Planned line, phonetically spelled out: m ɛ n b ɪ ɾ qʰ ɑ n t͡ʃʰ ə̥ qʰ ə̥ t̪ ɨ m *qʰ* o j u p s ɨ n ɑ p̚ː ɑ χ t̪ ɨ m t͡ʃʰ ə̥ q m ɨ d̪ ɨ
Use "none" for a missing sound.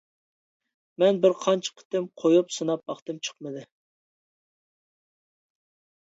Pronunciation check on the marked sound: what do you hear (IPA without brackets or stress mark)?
qʰ